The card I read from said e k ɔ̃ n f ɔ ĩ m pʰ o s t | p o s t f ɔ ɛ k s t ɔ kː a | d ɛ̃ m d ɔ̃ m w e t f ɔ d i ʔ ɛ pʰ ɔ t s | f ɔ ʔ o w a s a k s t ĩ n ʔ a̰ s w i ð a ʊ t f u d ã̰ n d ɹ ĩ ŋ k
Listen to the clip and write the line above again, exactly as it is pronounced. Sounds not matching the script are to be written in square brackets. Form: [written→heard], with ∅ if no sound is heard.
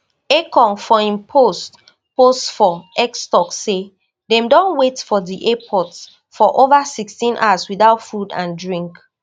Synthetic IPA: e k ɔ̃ n f ɔ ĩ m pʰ o s t | p o s t f ɔ ɛ k s t ɔ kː [a→e] | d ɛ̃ m d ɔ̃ [m→n] w e t f ɔ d i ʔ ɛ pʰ ɔ t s | f ɔ ʔ o [w→v] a s [a→i] k s t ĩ n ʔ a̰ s w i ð a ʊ t f u d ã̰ n d ɹ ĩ ŋ k